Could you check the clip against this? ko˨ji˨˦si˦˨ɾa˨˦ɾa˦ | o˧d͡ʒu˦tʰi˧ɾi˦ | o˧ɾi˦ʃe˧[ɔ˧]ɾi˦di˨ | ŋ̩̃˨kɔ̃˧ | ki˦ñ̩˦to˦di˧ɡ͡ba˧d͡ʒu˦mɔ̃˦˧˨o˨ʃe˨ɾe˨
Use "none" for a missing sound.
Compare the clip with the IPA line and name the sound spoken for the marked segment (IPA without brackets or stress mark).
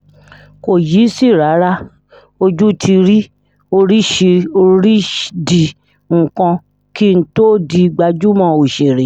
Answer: o˧